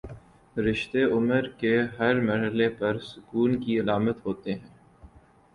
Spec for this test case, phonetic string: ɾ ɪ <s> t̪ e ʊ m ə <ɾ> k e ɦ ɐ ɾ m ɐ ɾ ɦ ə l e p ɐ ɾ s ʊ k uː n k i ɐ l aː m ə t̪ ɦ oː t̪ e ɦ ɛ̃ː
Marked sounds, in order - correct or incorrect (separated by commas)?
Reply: incorrect, correct